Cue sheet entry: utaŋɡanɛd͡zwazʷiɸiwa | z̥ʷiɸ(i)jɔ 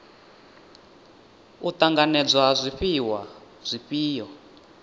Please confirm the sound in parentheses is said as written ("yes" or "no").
no